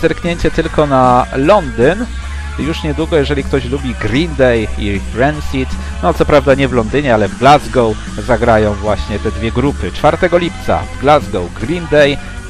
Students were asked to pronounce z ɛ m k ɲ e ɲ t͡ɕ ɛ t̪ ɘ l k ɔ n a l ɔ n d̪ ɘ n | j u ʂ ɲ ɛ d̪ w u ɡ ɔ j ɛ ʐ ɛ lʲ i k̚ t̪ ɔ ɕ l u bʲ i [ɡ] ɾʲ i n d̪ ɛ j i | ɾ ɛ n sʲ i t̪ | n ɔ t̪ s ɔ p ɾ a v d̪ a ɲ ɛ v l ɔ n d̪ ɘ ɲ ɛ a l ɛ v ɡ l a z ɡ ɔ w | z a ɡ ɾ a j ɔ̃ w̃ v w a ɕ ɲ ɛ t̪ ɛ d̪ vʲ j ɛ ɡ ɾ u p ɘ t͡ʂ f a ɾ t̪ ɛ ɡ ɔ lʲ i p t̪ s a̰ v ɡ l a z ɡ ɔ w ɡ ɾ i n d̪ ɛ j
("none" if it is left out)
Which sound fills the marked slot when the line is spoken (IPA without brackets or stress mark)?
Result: ɡ